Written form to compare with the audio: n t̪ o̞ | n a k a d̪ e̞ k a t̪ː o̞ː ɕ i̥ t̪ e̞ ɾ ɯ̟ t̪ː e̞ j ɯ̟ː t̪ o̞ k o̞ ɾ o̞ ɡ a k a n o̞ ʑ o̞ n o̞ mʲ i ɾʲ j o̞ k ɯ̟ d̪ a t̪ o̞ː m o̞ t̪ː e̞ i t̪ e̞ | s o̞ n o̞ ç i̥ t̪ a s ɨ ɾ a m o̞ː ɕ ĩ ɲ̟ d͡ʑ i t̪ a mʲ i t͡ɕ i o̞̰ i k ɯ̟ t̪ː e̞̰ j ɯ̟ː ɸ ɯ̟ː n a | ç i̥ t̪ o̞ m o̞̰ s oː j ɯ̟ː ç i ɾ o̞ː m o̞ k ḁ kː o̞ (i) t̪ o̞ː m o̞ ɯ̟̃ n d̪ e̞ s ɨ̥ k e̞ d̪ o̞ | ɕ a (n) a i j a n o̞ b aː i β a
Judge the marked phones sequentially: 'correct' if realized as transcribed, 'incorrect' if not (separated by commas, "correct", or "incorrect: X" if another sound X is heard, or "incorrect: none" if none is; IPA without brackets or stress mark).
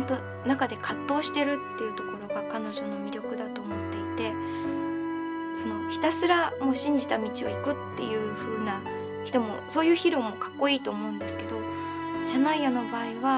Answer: incorrect: iː, correct